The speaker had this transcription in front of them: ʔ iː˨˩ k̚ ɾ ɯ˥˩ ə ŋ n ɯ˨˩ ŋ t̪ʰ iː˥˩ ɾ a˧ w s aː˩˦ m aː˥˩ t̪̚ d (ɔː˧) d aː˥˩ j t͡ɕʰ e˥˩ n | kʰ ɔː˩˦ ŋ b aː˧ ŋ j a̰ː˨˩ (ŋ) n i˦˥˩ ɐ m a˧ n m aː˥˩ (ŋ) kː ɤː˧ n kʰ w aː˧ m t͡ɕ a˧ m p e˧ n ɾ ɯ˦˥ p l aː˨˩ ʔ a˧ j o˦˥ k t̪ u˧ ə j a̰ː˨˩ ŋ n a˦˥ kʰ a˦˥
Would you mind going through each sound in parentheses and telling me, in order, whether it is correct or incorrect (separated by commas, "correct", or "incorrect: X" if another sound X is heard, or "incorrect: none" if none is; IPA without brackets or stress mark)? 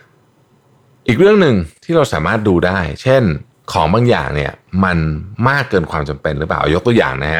incorrect: uː˧, correct, incorrect: none